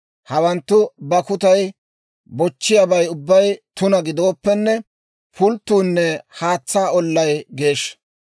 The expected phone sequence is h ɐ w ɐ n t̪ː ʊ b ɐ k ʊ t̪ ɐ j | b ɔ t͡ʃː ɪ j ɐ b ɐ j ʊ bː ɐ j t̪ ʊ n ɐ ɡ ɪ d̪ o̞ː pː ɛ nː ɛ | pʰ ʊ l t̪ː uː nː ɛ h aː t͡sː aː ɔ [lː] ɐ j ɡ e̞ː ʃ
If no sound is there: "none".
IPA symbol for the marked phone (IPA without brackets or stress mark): lː